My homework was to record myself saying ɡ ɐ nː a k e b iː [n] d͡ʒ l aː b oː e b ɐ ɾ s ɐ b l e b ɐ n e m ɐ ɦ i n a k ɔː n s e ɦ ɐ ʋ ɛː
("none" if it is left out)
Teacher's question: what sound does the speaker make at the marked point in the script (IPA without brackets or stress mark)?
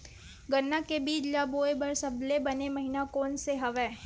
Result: none